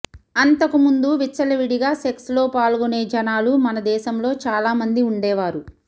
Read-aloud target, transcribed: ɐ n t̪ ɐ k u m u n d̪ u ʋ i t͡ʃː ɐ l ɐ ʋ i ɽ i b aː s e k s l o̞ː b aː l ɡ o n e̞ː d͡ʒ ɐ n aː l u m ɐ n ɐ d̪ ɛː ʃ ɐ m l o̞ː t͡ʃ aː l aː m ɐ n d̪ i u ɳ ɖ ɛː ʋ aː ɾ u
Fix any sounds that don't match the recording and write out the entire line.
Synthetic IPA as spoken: ɐ n t̪ ɐ k u m u n d̪ u ʋ i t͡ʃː ɐ l ɐ ʋ i ɽ i ɡ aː s e k s l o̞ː p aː l ɡ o n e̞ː d͡ʒ ɐ n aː l u m ɐ n ɐ d̪ ɛː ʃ ɐ m l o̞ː t͡ʃ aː l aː m ɐ n d̪ i u ɳ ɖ ɛː ʋ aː ɾ u